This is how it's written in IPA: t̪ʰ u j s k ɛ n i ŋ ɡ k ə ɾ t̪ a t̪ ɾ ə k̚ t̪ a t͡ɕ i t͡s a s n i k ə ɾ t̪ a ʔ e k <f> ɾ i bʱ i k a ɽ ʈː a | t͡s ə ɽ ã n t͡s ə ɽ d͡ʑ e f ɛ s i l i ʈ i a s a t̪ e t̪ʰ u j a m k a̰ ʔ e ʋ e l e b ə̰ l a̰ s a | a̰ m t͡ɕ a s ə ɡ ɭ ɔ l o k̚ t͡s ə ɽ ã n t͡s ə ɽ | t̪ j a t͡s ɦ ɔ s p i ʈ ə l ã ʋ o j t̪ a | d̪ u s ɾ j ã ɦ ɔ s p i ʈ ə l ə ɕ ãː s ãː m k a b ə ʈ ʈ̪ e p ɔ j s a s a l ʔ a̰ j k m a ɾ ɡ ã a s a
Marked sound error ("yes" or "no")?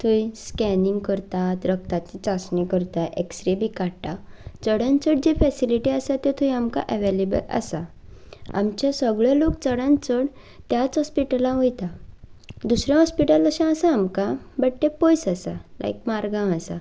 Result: yes